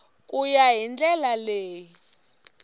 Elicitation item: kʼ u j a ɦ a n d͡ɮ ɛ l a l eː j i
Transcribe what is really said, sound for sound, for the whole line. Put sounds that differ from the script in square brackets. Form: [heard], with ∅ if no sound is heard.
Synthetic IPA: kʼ u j a ɦ [i] n d͡ɮ ɛ l a l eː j i